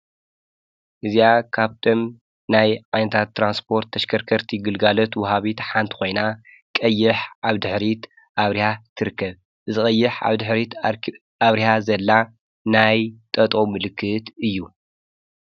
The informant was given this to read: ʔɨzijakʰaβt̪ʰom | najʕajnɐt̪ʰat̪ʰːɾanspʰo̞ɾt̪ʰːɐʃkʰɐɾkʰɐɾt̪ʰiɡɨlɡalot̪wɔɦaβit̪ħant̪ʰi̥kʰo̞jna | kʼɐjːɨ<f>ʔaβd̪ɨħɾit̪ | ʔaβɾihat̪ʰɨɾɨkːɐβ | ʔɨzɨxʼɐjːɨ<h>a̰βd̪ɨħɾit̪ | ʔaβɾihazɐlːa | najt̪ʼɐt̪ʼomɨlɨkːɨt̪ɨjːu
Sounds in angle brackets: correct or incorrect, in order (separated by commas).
incorrect, incorrect